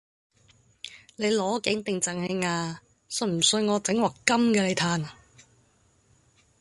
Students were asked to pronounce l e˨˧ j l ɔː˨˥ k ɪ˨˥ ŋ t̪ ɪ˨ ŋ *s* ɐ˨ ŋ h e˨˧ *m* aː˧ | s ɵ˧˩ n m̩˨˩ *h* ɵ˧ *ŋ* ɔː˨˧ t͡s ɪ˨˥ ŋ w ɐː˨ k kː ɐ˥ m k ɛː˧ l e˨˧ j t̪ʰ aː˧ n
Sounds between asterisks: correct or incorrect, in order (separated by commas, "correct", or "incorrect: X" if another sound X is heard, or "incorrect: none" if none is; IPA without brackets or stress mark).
incorrect: t͡s, incorrect: ŋ, incorrect: s, correct